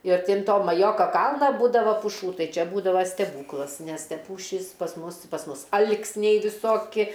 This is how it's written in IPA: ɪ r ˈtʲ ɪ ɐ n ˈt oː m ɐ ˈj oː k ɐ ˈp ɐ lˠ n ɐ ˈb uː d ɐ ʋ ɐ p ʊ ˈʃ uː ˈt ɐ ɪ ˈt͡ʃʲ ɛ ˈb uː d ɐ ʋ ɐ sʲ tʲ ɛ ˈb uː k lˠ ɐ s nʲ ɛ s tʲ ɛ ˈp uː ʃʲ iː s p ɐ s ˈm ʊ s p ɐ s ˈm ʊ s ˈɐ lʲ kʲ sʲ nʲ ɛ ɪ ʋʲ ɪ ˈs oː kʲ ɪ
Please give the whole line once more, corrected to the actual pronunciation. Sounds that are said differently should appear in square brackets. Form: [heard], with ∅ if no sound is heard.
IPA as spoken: ɪ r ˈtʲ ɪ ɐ n ˈt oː m ɐ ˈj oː k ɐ [ˈk] ɐ lˠ n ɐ ˈb uː d ɐ ʋ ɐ p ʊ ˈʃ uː ˈt ɐ ɪ ˈt͡ʃʲ ɛ ˈb uː d ɐ ʋ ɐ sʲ tʲ ɛ ˈb uː k lˠ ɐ s nʲ ɛ s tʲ ɛ ˈp uː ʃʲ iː s p ɐ s ˈm ʊ s p ɐ s ˈm ʊ s ˈɐ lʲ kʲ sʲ nʲ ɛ ɪ ʋʲ ɪ ˈs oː kʲ ɪ